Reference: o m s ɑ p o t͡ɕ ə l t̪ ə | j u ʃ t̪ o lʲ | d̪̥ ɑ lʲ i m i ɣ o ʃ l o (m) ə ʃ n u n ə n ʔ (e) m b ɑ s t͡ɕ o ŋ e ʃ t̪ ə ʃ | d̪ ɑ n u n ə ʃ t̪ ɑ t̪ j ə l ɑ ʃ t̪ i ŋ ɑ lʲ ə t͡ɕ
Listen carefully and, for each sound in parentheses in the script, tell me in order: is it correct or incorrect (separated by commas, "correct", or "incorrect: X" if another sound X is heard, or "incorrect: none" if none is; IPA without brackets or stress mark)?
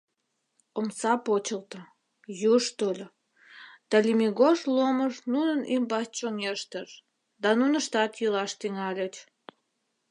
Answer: correct, incorrect: i